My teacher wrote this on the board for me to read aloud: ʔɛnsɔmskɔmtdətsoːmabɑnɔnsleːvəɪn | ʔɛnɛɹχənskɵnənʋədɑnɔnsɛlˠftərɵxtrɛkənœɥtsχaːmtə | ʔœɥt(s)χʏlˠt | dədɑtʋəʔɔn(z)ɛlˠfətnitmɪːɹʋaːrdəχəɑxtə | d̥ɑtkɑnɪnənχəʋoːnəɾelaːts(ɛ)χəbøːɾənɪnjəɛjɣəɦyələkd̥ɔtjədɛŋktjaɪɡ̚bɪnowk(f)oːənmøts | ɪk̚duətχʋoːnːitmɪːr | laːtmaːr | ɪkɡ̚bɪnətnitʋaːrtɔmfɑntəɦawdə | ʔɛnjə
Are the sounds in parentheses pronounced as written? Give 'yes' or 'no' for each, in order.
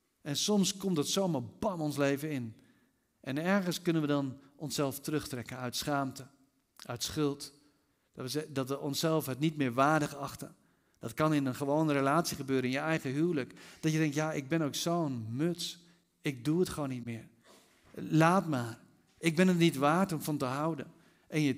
yes, no, no, no

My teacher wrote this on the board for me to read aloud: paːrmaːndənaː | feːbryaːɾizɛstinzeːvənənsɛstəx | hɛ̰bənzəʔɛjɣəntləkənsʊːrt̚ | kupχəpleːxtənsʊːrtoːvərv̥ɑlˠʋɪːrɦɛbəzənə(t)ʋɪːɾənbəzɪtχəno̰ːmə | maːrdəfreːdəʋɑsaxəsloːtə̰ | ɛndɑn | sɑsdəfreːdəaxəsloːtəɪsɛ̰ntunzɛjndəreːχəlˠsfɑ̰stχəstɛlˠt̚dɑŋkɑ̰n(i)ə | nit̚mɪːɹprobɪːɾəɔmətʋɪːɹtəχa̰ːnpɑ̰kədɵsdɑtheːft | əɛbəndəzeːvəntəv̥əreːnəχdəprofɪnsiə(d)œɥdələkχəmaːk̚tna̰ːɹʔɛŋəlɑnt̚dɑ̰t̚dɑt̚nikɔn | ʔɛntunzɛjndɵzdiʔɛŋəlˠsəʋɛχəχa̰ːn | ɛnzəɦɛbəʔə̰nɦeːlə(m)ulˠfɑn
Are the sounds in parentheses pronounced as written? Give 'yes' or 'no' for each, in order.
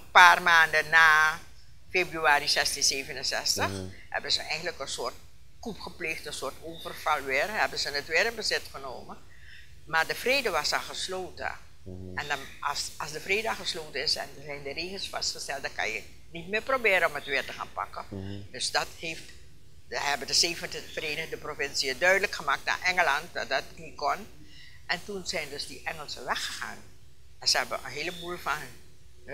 yes, no, yes, no

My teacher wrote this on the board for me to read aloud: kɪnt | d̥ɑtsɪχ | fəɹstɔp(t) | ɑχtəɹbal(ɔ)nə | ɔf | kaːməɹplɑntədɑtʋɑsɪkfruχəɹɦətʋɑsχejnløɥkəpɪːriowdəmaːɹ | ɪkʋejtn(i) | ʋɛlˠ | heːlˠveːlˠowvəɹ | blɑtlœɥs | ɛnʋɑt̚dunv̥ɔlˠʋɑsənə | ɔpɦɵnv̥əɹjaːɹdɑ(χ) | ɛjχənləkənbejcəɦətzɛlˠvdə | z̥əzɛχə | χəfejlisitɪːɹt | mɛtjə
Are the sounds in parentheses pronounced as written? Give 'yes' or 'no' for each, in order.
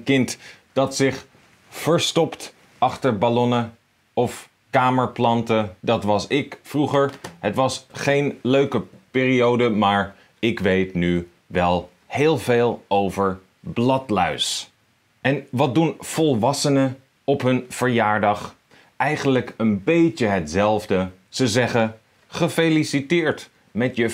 yes, yes, no, yes

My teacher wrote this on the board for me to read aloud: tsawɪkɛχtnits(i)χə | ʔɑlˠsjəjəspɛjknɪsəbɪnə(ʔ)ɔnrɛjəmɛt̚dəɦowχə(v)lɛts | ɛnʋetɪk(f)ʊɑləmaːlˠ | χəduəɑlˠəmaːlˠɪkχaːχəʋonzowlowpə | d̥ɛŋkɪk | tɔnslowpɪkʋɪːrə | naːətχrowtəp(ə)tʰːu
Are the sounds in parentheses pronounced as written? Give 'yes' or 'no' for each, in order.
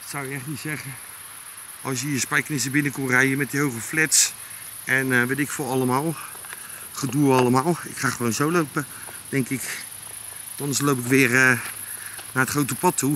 no, no, no, yes, no

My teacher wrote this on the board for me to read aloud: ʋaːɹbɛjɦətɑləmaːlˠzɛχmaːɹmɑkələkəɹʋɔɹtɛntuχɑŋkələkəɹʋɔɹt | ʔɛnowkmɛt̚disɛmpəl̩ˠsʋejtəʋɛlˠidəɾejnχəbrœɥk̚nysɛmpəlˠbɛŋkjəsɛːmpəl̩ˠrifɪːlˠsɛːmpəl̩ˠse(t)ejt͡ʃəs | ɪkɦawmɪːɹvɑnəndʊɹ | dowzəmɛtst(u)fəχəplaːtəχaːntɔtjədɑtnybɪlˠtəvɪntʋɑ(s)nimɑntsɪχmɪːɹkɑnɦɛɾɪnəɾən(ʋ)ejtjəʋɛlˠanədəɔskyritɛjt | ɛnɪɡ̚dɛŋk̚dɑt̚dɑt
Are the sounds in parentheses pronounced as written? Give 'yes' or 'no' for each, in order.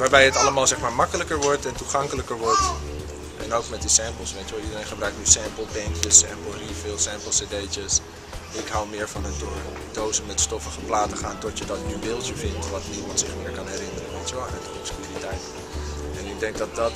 no, no, no, yes

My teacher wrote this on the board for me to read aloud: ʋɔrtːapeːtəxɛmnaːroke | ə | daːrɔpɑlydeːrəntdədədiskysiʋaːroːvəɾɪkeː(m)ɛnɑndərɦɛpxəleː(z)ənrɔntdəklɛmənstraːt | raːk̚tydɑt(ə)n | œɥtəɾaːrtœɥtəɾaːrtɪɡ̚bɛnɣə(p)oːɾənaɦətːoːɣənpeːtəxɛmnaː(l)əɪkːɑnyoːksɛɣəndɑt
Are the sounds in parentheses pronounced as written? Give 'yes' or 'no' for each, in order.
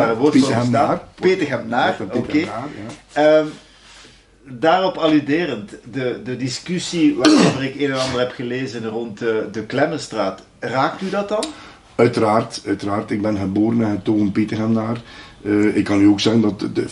no, yes, no, no, no

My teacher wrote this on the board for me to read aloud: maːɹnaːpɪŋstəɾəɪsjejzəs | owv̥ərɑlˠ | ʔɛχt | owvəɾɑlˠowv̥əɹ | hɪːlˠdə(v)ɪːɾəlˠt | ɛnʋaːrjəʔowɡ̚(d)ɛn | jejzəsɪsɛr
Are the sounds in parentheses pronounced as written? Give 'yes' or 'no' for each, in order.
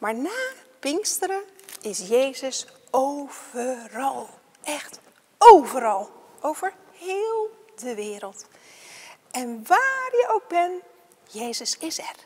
no, no

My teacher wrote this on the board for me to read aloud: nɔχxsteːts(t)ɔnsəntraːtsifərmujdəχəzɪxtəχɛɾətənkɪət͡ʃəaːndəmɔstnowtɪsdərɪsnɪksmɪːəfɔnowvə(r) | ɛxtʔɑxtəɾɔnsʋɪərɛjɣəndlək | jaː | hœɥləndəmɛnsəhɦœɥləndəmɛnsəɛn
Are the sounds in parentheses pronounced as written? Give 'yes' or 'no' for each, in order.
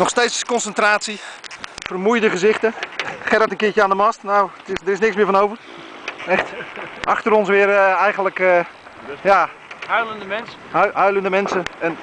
no, yes

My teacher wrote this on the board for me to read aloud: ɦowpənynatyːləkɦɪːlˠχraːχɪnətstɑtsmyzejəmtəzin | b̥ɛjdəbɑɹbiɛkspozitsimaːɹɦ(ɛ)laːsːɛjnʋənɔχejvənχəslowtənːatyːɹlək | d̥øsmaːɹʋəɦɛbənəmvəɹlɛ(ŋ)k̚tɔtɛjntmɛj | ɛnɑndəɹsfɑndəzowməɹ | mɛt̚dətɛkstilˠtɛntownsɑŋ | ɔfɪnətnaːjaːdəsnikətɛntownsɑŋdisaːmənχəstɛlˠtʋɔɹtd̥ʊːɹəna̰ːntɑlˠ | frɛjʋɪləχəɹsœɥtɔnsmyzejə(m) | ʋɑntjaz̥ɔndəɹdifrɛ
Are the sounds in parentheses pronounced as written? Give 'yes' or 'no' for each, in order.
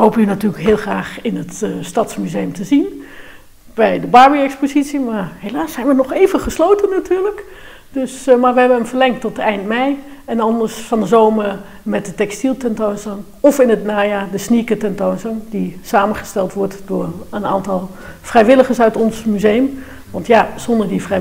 no, yes, yes

